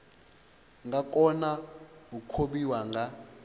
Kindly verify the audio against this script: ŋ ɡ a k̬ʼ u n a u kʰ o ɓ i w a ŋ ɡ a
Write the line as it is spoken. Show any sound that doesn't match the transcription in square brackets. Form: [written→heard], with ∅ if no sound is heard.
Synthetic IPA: ŋ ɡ a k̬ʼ [u→ɔ] n a u kʰ o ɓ i w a ŋ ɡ a